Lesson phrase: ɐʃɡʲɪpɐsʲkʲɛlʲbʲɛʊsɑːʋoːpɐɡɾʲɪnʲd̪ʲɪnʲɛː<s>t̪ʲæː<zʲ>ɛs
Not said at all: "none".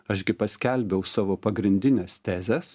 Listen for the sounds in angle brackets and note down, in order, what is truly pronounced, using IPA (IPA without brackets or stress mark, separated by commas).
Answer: s, zʲ